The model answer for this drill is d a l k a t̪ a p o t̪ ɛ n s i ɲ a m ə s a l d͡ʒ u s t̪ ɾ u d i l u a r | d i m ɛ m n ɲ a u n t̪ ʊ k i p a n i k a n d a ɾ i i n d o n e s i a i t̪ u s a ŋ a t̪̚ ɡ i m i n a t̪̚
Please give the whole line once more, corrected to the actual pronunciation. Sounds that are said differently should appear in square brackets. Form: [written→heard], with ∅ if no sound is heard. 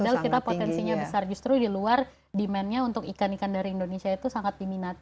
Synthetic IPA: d a l k [a→i] t̪ a p o t̪ ɛ n s i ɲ a [m→b] ə s a [l→r] d͡ʒ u s t̪ ɾ u d i l u a r | d i m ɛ [m→∅] n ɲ a u n t̪ ʊ k i [p→k] a n i k a n d a ɾ i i n d o n e s i a i t̪ u s a ŋ a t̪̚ [ɡ→d] i m i n a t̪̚